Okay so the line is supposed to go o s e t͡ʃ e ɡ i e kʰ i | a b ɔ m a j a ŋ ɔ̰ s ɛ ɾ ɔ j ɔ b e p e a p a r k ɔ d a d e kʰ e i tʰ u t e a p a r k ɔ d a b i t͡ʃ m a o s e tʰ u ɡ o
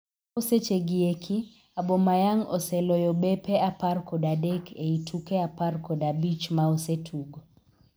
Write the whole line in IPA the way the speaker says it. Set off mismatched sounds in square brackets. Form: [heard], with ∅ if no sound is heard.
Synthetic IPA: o s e t͡ʃ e ɡ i e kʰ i | a b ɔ m a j a ŋ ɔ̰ s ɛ [l] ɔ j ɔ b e p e a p a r k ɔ d a d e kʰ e i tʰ u [k] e a p a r k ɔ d a b i t͡ʃ m a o s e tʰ u ɡ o